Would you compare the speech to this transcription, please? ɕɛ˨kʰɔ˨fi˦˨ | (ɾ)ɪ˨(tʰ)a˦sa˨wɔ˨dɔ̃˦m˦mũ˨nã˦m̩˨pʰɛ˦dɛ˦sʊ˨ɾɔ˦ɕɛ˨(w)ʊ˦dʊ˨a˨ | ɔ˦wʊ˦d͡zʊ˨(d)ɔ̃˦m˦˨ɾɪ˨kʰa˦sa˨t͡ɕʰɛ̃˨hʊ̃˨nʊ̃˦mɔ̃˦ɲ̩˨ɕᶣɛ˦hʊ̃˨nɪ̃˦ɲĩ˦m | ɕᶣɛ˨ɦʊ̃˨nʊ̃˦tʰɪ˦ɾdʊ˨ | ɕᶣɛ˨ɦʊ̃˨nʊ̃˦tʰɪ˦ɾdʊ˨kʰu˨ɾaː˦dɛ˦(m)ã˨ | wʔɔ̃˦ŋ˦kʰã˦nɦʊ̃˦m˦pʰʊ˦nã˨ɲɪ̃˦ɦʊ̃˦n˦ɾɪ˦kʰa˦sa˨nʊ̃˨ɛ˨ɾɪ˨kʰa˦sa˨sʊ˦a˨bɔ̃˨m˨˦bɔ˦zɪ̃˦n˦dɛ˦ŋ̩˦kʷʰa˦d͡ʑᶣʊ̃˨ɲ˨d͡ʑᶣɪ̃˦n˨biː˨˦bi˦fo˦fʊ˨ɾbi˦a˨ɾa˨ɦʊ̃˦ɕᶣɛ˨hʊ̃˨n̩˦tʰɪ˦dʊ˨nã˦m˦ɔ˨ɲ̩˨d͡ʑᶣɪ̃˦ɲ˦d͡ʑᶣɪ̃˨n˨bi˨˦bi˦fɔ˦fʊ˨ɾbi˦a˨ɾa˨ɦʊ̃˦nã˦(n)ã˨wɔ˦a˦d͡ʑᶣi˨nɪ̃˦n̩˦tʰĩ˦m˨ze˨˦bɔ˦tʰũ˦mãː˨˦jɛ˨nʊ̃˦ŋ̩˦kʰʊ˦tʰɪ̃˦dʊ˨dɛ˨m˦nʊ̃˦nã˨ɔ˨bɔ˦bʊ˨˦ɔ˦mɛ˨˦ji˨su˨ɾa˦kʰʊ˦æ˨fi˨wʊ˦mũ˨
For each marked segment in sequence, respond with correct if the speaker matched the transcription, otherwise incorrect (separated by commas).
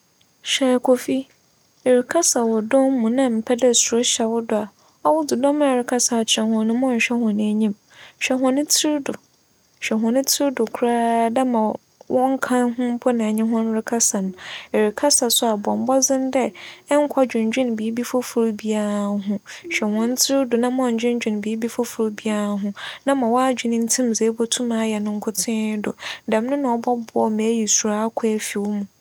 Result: correct, incorrect, correct, correct, correct, incorrect